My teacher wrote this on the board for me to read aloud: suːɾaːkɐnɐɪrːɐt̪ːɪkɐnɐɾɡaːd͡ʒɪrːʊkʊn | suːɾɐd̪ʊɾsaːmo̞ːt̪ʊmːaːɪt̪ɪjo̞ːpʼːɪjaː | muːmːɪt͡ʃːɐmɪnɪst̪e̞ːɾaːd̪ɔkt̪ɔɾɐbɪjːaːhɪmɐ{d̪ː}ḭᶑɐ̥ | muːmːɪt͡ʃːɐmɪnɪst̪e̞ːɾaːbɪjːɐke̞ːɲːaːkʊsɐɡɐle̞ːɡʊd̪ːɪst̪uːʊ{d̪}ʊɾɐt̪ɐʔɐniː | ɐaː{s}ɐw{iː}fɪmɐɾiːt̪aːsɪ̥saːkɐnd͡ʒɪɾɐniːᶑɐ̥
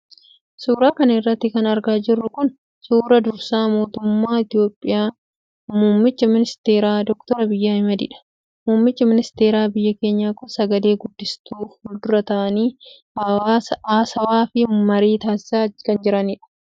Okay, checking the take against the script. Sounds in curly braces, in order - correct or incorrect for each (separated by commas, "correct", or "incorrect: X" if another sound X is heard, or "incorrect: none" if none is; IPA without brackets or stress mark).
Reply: incorrect: d̪, correct, correct, incorrect: aː